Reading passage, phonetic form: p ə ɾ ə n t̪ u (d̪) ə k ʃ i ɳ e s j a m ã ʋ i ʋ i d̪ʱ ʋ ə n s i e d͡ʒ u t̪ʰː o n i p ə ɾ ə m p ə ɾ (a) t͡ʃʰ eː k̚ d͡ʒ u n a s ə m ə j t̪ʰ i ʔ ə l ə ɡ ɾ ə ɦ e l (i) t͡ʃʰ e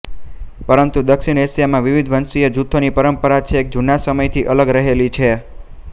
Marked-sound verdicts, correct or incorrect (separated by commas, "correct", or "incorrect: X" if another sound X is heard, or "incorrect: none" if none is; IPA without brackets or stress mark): correct, correct, correct